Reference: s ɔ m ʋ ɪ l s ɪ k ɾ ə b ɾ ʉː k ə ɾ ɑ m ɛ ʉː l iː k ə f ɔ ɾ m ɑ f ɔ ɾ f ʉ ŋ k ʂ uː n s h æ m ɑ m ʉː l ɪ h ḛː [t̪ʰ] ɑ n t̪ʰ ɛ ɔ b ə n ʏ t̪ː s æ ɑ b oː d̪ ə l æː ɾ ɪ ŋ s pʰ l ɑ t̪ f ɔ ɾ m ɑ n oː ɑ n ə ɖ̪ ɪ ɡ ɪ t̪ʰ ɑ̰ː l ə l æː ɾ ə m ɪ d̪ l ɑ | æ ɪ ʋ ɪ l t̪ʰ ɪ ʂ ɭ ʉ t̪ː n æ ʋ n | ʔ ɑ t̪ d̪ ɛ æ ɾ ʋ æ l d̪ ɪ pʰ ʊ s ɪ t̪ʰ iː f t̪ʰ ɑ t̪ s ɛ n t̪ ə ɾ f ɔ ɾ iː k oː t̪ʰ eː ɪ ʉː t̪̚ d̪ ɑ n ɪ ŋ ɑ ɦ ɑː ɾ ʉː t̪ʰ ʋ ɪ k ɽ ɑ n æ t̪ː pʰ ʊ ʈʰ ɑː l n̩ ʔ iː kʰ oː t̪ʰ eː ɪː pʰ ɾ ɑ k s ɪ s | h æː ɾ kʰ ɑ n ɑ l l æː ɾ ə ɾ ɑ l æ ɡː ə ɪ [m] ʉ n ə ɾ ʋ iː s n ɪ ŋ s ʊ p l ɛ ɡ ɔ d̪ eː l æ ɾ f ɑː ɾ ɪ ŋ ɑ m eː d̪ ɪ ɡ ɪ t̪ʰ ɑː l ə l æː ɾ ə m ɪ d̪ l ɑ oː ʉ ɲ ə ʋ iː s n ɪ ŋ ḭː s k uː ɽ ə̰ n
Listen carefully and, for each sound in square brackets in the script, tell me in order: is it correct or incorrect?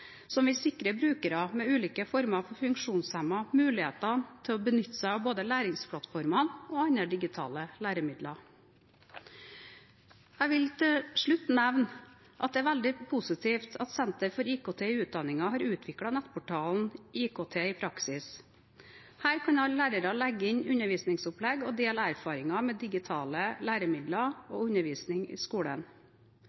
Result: incorrect, incorrect

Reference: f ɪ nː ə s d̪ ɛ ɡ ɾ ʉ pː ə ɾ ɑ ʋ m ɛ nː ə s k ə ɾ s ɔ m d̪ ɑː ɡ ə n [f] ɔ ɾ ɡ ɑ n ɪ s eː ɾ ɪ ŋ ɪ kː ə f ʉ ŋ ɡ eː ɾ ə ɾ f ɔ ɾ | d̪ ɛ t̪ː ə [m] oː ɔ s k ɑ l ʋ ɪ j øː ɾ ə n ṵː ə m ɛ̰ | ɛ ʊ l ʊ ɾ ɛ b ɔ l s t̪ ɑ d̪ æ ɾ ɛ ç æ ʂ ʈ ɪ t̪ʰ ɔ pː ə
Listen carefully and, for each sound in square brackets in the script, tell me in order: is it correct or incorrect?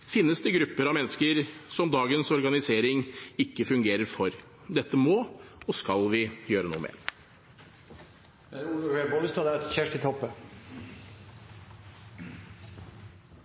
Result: incorrect, correct

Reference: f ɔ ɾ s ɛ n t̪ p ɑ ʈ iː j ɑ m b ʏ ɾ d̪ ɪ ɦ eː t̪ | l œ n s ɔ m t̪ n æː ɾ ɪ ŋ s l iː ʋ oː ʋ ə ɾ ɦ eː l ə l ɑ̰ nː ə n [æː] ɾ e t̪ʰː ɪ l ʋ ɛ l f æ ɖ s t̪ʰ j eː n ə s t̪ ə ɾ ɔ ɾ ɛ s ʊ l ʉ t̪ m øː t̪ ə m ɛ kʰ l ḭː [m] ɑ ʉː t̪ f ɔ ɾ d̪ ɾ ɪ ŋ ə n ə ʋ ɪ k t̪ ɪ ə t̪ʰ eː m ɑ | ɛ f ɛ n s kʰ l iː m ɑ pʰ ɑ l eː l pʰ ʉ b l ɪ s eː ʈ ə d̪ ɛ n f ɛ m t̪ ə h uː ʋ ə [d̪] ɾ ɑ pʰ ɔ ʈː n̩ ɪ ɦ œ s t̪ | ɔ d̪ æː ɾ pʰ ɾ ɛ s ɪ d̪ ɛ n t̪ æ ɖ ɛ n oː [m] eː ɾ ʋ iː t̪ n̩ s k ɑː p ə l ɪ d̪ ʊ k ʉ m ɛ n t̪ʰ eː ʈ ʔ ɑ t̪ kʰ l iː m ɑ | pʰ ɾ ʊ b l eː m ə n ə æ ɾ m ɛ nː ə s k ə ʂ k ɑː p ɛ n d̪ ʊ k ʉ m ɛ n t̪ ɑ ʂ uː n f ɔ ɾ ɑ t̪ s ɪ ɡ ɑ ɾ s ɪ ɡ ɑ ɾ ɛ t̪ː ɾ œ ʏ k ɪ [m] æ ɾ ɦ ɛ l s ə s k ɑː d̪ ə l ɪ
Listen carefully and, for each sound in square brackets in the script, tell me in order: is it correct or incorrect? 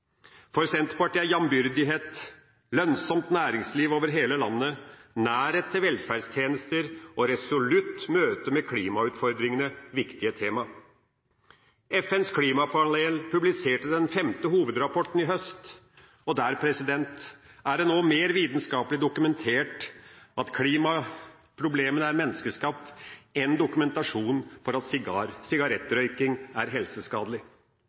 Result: correct, correct, correct, correct, incorrect

